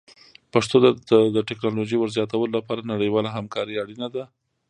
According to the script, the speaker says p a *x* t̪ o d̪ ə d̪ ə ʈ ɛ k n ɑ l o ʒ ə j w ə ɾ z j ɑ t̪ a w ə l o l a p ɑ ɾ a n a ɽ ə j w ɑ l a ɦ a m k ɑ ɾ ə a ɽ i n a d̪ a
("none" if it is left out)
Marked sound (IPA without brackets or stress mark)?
ʂ